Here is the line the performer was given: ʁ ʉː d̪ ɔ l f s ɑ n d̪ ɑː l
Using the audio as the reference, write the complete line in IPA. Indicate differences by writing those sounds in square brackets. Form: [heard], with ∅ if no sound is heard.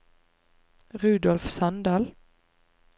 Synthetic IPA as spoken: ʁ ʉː d̪ ɔ l f s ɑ n d̪ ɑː l